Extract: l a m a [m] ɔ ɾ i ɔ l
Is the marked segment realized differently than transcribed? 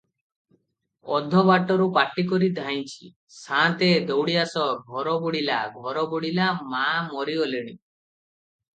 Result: no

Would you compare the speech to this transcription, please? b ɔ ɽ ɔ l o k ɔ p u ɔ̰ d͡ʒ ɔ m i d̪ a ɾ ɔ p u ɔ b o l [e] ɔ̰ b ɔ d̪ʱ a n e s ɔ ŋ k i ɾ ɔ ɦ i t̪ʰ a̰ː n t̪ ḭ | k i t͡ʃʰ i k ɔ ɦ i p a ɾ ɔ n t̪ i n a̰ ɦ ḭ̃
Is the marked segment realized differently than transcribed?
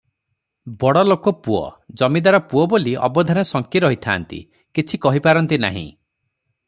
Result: yes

